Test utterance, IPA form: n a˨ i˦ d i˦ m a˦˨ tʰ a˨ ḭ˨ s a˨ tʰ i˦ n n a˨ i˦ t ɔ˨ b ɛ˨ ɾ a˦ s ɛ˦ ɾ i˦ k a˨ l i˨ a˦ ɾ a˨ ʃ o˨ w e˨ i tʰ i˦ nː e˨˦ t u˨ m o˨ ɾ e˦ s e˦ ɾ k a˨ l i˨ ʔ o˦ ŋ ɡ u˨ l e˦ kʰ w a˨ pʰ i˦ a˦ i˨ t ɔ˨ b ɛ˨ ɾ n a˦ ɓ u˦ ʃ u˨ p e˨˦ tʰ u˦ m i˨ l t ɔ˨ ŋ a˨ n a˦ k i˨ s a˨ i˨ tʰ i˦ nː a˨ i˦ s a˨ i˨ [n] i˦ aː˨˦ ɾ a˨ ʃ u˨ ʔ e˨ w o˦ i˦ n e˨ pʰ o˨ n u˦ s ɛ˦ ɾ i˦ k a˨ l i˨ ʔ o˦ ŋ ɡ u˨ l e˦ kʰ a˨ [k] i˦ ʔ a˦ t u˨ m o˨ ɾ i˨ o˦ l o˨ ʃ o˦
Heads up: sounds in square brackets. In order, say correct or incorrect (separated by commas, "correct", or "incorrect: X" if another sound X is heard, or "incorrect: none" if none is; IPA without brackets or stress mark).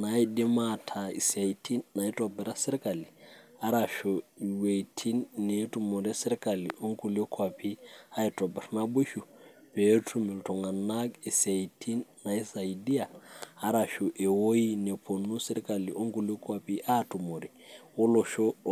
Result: incorrect: d, incorrect: p